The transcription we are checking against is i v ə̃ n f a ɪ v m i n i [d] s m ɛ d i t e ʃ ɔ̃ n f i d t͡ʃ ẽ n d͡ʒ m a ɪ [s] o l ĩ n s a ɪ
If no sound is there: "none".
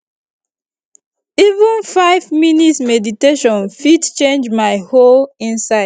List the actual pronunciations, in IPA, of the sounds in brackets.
t, h

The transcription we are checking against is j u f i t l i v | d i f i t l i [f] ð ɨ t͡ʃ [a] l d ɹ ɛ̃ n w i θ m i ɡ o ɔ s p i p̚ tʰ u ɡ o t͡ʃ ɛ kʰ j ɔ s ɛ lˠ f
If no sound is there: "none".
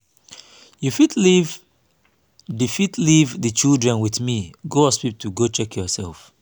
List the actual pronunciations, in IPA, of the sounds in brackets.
v, i

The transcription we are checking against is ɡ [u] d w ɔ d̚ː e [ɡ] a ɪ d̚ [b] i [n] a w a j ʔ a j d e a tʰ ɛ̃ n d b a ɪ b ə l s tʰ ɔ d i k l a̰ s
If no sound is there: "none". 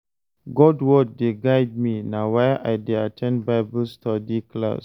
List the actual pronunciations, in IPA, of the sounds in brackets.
ɔ, ɡ, m, n

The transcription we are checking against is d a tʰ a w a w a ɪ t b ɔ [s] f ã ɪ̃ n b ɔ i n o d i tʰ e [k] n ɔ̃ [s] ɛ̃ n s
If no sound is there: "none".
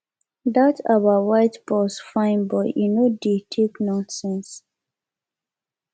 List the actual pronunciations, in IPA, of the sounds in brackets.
s, k, s

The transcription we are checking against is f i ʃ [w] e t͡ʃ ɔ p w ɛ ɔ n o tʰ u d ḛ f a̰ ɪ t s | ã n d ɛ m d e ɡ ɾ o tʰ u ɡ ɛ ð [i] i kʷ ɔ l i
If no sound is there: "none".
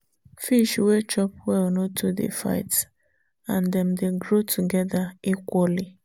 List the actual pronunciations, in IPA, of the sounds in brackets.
w, a

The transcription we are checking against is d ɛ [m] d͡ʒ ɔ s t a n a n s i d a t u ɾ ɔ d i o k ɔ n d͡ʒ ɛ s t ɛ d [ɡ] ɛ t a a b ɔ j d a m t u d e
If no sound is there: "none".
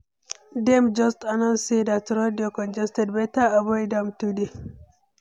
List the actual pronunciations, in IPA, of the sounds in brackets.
m, b

